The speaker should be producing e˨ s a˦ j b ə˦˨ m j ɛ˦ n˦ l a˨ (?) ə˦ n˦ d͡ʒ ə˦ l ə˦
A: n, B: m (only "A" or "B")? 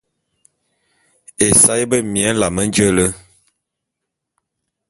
B